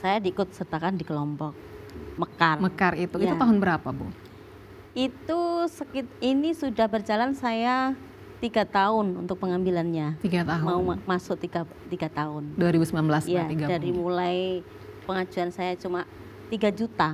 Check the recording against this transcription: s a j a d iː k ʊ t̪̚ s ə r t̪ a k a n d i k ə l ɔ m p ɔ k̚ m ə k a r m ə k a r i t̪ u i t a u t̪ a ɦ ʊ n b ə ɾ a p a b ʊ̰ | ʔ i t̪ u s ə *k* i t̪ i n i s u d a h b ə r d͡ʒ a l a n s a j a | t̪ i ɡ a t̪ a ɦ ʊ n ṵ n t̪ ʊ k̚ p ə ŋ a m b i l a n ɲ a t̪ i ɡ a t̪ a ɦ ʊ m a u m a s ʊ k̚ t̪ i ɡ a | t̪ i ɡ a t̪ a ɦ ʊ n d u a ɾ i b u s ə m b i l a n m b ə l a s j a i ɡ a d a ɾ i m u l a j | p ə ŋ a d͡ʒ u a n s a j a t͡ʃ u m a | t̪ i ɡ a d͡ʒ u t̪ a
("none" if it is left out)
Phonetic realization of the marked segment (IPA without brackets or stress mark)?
k